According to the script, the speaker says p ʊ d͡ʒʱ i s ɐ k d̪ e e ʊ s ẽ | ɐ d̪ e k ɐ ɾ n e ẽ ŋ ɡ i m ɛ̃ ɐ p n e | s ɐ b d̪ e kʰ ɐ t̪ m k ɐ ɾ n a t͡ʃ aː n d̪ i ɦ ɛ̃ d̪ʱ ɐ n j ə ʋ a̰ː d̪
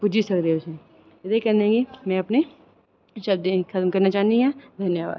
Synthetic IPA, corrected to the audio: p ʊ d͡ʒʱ i s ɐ k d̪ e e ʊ s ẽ | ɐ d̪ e k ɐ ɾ n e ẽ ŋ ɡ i m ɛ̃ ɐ p n e | ʃ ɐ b d̪ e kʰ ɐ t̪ m k ɐ ɾ n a t͡ʃ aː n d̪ i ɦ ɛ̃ d̪ʱ ɐ n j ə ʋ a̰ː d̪